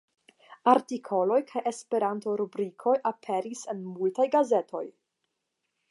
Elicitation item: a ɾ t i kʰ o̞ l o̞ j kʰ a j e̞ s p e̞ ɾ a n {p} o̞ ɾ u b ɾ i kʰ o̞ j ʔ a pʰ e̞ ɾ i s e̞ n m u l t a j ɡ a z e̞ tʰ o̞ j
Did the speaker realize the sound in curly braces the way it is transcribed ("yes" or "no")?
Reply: no